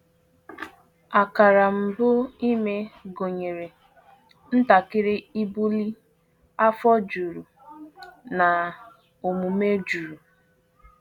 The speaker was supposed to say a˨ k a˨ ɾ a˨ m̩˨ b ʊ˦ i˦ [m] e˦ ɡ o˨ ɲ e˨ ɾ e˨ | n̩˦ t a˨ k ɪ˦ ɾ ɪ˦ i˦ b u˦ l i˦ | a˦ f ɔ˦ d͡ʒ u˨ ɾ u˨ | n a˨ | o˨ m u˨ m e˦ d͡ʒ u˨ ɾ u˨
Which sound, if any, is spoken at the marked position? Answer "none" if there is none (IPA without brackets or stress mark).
m